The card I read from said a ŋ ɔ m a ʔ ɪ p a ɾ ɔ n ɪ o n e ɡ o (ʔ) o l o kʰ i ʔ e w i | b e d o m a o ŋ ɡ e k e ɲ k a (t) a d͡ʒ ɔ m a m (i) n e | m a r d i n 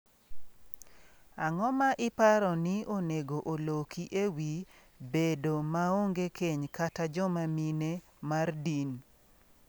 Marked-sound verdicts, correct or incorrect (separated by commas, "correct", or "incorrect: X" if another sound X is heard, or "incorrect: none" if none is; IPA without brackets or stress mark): correct, correct, correct